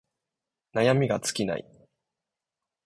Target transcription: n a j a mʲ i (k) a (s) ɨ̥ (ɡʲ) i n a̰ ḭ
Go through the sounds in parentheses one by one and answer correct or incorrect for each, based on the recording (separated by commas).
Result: incorrect, incorrect, incorrect